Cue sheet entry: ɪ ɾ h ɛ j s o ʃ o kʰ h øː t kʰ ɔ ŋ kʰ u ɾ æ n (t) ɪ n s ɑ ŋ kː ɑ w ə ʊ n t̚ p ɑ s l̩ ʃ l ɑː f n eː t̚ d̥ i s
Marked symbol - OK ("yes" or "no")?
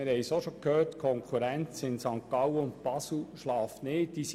no